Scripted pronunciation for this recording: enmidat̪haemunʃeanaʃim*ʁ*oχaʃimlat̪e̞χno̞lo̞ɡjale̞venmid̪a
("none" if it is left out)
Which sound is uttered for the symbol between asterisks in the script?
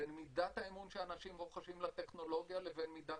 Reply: ʁ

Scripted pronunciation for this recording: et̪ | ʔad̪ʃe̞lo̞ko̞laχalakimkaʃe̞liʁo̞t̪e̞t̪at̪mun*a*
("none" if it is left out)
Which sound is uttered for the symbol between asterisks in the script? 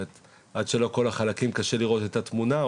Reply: a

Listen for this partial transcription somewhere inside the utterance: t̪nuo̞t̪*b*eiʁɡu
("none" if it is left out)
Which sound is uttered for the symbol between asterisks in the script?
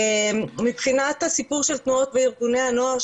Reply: v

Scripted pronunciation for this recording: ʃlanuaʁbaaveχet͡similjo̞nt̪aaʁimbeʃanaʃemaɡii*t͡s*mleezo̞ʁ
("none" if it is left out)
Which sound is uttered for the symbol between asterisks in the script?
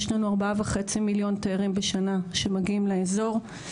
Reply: none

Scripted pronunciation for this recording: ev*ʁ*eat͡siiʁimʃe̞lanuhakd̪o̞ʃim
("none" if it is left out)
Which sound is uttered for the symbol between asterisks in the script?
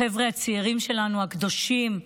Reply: ʁ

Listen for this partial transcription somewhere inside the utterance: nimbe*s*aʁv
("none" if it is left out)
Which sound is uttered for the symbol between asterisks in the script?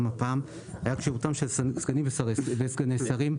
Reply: s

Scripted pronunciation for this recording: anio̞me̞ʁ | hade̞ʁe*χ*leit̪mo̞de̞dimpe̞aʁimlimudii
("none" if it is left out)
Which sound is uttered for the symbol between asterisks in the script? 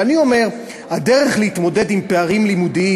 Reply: χ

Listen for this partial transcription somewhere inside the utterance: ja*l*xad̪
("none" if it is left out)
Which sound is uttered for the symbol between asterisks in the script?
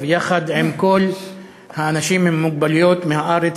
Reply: none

